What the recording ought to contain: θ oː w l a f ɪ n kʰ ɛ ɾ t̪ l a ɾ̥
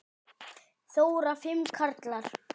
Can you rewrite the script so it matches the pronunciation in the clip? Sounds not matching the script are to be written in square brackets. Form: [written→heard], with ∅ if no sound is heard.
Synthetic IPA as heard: θ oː w [l→ɾ] a f ɪ [n→m] kʰ [ɛ→a] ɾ t̪ l a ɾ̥